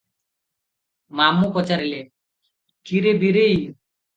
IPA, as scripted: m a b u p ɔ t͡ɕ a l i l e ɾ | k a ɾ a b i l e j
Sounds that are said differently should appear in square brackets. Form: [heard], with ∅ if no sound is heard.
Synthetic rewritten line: m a [m] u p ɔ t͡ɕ a [ɾ] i l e [∅] | k [i] ɾ [e] b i [ɾ] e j